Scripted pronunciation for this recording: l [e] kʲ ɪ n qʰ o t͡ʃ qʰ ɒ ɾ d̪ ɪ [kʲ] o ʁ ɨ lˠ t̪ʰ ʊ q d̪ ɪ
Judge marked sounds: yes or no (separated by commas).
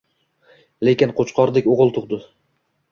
yes, yes